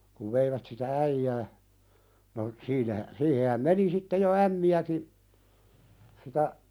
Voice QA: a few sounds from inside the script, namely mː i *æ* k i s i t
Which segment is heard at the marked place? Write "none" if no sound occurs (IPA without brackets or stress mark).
æ